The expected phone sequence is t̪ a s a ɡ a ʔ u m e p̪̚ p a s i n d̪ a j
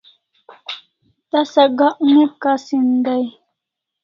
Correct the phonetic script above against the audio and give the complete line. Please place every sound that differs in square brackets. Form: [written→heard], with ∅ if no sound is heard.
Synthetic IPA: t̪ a s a ɡ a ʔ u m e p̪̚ [p→k] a s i n d̪ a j